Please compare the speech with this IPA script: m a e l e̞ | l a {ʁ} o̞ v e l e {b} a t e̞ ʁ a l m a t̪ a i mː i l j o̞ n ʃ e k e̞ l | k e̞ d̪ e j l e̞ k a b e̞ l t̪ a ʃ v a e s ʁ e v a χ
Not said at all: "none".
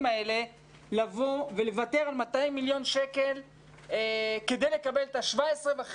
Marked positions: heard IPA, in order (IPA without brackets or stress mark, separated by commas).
v, v